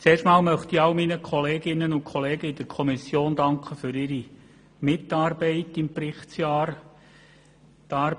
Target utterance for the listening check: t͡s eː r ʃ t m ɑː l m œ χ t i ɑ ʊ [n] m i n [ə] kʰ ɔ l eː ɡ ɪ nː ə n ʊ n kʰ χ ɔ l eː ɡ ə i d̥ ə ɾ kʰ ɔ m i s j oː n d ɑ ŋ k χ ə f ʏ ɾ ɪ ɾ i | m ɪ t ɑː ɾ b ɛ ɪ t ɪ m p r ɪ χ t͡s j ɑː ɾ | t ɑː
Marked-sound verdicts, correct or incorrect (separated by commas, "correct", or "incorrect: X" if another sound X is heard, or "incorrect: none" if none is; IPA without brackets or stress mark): incorrect: none, correct